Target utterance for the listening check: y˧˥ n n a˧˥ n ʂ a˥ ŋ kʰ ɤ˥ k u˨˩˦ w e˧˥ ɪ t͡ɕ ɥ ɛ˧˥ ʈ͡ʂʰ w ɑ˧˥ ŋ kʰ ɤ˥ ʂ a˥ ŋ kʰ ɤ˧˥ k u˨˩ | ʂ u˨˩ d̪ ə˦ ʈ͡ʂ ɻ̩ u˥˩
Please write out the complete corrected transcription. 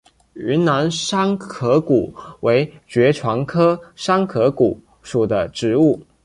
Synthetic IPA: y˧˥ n n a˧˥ n ʂ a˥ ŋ kʰ ɤ˧˥ k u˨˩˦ w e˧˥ ɪ t͡ɕ ɥ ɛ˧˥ ʈ͡ʂʰ w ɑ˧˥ ŋ kʰ ɤ˥ ʂ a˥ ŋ kʰ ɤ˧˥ k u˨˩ | ʂ u˨˩ d̪ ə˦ ʈ͡ʂ ɻ̩ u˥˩